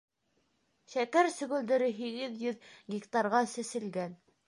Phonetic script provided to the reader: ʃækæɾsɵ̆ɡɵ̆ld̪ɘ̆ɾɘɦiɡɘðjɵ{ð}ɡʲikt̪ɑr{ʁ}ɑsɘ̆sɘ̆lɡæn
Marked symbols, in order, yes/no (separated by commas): yes, yes